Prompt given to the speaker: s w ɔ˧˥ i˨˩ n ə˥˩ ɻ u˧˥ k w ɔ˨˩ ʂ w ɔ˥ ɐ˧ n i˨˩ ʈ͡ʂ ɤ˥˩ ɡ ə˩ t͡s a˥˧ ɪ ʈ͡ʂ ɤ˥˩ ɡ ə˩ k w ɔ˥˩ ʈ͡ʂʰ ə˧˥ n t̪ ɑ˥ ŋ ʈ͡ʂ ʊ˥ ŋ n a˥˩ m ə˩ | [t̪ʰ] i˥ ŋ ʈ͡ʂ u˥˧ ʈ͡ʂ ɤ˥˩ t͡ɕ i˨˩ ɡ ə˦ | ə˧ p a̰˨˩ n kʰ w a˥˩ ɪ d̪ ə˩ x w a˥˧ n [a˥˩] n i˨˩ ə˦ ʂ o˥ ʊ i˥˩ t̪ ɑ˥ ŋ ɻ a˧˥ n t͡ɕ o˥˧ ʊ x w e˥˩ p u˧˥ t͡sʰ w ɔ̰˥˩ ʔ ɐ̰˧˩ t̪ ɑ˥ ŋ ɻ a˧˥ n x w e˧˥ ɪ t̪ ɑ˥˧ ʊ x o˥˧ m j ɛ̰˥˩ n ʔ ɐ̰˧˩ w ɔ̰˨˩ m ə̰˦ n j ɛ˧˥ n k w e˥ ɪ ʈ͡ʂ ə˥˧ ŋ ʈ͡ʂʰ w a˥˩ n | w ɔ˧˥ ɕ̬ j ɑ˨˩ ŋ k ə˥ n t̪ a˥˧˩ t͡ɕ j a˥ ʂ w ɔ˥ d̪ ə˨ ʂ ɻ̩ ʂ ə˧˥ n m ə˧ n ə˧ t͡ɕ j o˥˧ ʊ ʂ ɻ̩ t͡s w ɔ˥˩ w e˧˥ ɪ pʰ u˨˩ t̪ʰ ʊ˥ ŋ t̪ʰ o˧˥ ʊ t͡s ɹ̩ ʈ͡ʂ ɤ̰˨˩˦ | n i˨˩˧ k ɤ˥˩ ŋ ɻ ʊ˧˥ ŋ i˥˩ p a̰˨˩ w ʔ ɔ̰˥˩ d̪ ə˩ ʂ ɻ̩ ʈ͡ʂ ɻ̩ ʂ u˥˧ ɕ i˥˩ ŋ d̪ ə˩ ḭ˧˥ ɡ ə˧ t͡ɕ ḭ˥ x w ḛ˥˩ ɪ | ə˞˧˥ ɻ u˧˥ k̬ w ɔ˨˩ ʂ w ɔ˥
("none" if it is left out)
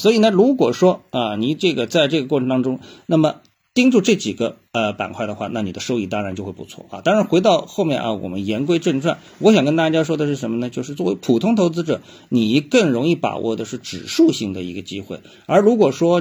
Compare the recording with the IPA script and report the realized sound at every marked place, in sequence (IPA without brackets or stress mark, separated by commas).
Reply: t̪, a˥˩